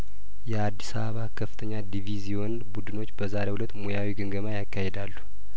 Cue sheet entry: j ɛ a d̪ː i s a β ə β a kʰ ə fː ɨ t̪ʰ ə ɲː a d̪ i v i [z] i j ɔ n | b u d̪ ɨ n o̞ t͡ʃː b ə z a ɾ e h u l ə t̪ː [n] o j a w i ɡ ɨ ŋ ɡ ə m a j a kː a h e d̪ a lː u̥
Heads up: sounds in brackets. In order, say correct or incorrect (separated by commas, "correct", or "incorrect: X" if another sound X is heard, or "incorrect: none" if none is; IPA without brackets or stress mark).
correct, incorrect: m